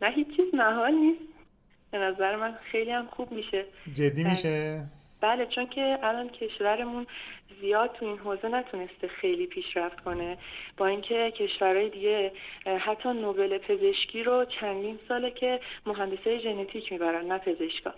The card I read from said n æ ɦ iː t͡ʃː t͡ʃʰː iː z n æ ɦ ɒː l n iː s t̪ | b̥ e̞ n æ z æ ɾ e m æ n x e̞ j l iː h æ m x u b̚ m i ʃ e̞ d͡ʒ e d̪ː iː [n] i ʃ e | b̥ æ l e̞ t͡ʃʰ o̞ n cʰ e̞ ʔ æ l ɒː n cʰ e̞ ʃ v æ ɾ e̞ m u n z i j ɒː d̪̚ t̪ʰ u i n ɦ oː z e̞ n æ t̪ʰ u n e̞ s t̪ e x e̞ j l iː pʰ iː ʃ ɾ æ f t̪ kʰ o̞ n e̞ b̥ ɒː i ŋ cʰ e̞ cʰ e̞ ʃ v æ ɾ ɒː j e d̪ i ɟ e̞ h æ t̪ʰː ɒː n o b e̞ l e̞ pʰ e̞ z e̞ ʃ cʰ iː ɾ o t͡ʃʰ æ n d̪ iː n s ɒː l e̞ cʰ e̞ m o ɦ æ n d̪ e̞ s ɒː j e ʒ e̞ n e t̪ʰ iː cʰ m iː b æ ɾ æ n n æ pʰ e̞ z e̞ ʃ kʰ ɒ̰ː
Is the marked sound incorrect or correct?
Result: incorrect